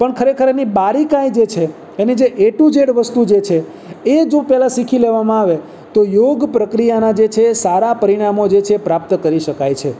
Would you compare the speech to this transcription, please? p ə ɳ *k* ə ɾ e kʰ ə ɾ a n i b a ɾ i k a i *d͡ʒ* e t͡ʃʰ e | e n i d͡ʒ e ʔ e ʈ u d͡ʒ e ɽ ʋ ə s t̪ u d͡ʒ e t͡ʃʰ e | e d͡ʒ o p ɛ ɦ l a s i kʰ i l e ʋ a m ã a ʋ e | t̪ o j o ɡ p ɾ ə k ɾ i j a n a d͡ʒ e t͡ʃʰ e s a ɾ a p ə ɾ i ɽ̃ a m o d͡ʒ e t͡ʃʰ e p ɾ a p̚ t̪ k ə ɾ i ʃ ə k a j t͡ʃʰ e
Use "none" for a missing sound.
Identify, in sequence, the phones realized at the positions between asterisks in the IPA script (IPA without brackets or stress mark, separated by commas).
kʰ, d͡ʒ